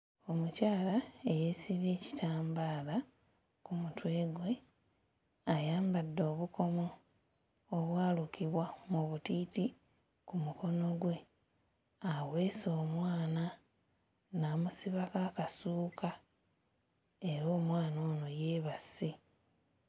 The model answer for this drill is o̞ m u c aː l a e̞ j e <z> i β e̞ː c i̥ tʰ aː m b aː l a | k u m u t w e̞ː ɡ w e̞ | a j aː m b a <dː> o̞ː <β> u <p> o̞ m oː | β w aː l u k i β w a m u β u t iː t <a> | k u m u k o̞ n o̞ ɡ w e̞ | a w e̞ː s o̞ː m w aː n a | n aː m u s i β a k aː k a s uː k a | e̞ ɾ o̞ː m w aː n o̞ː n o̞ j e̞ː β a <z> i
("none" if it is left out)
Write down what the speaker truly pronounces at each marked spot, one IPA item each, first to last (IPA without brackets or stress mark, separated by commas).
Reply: s, dː, β, k, i, s